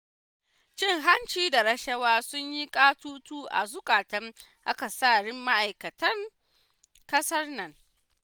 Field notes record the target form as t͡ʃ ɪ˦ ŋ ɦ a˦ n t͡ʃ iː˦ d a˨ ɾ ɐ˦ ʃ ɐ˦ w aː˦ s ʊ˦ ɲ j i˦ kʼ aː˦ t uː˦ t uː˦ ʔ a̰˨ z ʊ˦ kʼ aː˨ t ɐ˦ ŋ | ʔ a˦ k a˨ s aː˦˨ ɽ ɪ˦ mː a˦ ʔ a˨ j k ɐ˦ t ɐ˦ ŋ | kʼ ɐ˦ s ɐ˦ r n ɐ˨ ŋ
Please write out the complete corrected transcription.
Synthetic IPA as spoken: t͡ʃ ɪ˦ ŋ ɦ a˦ n t͡ʃ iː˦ d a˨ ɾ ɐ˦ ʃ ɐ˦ w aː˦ s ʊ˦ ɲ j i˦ kʼ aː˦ t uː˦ t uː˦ ʔ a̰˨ z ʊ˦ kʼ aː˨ t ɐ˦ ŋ | ʔ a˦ k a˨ s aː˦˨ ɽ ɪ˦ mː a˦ ʔ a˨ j k ɐ˨ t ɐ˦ ŋ | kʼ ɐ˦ s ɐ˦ r n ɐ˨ ŋ

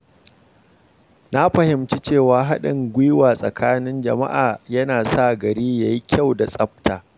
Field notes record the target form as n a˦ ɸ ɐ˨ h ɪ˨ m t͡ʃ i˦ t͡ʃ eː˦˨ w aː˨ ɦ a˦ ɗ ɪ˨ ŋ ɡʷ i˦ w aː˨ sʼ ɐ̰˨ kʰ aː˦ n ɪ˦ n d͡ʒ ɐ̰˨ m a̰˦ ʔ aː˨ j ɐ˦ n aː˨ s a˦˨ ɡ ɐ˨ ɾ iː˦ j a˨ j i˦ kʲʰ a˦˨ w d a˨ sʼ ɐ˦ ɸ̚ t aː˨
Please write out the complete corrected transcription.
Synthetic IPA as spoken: n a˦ ɸ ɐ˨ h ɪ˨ m t͡ʃ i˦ t͡ʃ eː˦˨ w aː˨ ɦ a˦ ɗ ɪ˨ ŋ ɡʷ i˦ w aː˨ sʼ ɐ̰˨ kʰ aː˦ n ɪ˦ n d͡ʒ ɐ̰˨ m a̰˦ ʔ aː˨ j ɐ˦ n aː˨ s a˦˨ ɡ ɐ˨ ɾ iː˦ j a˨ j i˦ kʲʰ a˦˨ w d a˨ sʼ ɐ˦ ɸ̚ t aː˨

